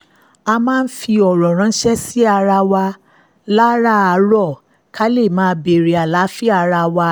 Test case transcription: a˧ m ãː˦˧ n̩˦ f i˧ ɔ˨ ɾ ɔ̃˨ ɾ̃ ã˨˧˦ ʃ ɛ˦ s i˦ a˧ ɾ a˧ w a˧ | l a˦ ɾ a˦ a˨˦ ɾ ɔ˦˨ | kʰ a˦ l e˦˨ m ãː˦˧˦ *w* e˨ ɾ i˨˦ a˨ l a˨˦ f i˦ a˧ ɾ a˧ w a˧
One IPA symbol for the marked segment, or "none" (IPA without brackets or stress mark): b